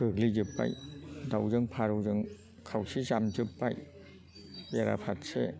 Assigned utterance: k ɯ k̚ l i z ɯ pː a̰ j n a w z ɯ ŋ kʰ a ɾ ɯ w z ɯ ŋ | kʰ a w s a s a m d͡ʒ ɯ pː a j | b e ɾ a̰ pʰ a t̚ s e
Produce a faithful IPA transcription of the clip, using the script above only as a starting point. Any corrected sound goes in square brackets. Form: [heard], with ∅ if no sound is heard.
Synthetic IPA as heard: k ɯ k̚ l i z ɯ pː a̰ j [d] a w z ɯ ŋ [pʰ] a ɾ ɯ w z ɯ ŋ | kʰ a w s [i] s a m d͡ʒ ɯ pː a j | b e ɾ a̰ pʰ a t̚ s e